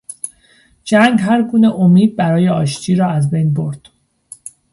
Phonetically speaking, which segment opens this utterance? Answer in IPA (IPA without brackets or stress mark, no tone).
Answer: d͡ʒ